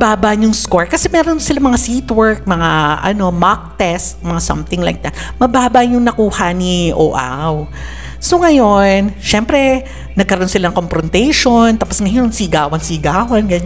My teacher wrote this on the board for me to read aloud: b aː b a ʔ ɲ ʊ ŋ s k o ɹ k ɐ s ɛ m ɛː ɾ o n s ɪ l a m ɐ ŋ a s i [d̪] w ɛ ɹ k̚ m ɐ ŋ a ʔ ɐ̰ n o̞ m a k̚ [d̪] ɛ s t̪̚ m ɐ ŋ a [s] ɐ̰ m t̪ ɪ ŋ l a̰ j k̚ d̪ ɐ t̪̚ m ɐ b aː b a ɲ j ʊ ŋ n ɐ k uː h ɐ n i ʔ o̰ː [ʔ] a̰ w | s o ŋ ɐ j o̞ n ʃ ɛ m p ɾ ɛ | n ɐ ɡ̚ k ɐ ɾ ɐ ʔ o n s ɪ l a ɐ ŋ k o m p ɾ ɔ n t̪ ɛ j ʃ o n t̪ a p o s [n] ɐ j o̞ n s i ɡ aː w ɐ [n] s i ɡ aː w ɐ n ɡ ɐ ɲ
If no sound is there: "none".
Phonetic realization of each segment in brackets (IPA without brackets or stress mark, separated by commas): t̪, t̪, s, ʔ, ŋ, n